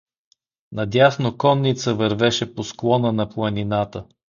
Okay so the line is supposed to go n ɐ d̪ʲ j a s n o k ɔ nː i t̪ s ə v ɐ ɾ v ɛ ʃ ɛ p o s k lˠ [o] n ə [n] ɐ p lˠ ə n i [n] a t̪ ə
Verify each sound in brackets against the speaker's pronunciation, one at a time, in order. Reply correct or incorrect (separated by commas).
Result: incorrect, correct, correct